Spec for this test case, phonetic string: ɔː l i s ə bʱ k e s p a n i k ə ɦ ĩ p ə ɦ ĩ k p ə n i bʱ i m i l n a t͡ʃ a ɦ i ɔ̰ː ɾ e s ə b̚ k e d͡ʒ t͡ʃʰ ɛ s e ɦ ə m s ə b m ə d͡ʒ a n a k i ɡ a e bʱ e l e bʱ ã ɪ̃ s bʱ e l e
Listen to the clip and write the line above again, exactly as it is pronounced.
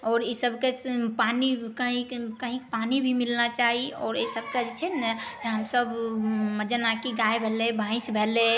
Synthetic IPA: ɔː ɾ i s ə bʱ k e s p a n i k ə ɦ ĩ k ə ɦ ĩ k p a n i bʱ i m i l n a t͡ʃ a ɦ i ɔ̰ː ɾ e s ə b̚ k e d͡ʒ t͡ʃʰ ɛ s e ɦ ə m s ə b m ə d͡ʒ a n a k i ɡ a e bʱ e l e bʱ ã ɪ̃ s bʱ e l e